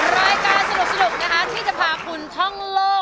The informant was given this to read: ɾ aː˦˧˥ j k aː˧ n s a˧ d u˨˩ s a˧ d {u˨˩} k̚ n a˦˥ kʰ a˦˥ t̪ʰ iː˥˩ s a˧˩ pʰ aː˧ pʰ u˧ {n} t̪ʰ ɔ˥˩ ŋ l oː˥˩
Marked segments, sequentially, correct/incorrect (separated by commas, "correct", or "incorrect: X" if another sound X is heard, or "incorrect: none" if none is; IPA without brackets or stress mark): correct, correct